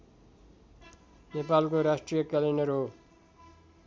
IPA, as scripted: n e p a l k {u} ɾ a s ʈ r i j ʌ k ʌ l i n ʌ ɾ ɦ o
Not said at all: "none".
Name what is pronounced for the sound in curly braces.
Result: o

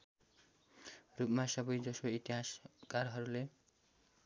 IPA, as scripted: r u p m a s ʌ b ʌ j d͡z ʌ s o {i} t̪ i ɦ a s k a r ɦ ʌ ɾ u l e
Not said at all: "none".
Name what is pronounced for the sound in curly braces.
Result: i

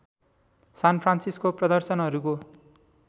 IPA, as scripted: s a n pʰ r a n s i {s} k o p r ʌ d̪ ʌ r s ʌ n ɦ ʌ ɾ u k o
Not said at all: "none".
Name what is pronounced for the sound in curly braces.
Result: s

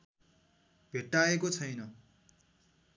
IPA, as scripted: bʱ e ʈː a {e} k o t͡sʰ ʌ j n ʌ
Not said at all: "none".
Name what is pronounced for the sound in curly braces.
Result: e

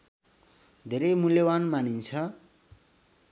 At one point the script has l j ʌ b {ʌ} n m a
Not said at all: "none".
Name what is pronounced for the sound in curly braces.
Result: a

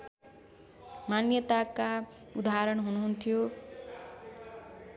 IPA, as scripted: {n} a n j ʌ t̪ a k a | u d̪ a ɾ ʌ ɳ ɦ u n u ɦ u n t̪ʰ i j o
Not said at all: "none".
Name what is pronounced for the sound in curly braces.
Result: m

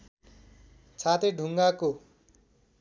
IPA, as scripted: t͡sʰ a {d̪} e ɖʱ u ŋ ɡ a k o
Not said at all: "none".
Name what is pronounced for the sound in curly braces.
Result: t̪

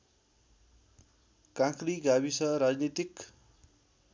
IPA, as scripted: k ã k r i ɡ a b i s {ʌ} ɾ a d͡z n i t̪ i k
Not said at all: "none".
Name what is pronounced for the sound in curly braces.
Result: ʌ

